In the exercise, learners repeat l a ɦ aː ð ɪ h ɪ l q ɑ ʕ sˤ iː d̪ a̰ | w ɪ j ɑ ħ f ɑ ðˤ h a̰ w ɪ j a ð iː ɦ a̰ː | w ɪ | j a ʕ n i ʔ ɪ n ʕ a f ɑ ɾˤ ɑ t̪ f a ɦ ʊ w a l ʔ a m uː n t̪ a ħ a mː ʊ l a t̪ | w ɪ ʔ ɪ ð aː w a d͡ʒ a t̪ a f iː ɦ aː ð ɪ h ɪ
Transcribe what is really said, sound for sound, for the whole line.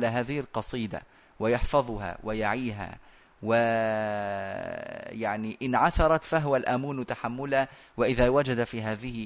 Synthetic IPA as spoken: l a ɦ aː ð ɪ h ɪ l q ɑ sˤ iː d̪ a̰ | w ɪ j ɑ ħ f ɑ ðˤ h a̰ w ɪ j a ʕ iː ɦ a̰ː | w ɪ | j a ʕ n i ʔ ɪ n ʕ a θ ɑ ɾˤ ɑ t̪ f a ɦ ʊ w a l ʔ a m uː n t̪ a ħ a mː ʊ l a | w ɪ ʔ ɪ ð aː w a d͡ʒ a d̪ a f iː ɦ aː ð ɪ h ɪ